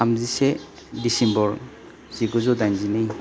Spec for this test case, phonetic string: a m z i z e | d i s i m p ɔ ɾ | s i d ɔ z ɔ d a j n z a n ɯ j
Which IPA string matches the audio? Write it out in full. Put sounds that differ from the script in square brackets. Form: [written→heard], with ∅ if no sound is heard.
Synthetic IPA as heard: a m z i [z→s] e | d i s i m [p→b] ɔ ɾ | [s→z] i [d→ɡ] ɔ z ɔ d a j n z [a→i] n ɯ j

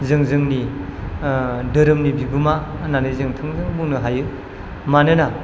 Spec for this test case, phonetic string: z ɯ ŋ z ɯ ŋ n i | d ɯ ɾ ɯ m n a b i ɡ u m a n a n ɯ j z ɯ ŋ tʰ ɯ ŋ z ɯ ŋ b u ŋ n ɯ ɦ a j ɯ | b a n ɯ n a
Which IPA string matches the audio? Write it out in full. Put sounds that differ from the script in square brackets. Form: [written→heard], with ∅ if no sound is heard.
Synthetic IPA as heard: z ɯ ŋ z ɯ ŋ n i | d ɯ ɾ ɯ m n [a→i] b i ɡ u m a n a n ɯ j z ɯ ŋ tʰ ɯ ŋ z ɯ ŋ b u ŋ n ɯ ɦ a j ɯ | [b→m] a n ɯ n a

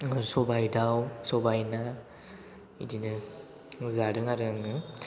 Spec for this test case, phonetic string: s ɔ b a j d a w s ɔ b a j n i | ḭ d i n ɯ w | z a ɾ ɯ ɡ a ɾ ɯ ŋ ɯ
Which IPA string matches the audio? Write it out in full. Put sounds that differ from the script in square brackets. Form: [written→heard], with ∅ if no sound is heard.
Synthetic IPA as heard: s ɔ b a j d a w s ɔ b a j n [i→a] | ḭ d i n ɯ [w→∅] | z a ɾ ɯ [ɡ→ŋ] a ɾ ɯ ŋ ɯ

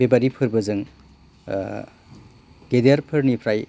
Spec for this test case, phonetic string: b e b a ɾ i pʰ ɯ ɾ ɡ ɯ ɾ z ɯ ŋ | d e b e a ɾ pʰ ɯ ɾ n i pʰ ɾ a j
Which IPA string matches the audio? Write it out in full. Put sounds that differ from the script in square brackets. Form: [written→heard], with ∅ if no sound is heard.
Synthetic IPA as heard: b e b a ɾ i pʰ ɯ ɾ [ɡ→b] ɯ [ɾ→∅] z ɯ ŋ | [d→ɡ] e [b→d] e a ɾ pʰ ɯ ɾ n i pʰ ɾ a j

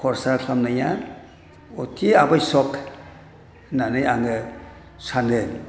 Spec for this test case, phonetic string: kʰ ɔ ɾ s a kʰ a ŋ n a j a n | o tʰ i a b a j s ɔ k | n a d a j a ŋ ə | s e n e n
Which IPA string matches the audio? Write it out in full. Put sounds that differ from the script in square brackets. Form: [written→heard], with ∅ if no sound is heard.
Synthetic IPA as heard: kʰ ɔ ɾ s a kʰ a [ŋ→m] n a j a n | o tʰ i a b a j s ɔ k | n a [d→n] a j a ŋ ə | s [e→a] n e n

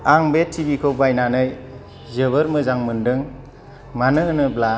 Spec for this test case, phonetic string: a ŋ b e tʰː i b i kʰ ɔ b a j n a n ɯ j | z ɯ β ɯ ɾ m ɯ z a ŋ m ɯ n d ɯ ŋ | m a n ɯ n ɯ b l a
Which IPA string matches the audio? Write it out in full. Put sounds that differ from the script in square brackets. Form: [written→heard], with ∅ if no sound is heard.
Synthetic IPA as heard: a ŋ b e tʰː i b i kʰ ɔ b a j n a n ɯ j | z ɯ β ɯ ɾ m ɯ z a ŋ m ɯ n d ɯ ŋ | m a n ɯ n ɯ b l a

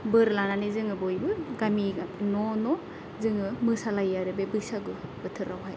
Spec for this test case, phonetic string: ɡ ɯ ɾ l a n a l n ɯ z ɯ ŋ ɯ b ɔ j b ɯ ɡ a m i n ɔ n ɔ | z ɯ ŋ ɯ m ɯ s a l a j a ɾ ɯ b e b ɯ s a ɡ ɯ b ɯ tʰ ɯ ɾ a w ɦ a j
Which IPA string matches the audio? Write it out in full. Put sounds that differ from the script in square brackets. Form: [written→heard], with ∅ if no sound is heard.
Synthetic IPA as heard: [ɡ→b] ɯ ɾ l a n a [l→∅] n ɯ z ɯ ŋ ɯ b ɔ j b ɯ ɡ a m i n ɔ n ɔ | z ɯ ŋ ɯ m ɯ s a l a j a ɾ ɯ b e b ɯ s a ɡ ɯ b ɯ tʰ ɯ ɾ a w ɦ a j

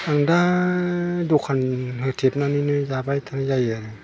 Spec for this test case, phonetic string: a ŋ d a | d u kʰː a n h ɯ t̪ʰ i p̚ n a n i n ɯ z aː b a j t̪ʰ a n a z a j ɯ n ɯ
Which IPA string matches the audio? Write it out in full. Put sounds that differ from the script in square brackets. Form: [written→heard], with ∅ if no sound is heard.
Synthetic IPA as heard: a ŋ d a | d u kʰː a n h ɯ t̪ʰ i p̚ n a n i n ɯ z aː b a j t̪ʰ a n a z a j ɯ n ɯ

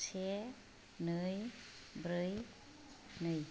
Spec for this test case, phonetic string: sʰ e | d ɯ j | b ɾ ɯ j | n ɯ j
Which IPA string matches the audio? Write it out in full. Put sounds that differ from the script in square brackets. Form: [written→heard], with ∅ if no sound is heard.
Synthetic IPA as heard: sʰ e | [d→n] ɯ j | b ɾ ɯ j | n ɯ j

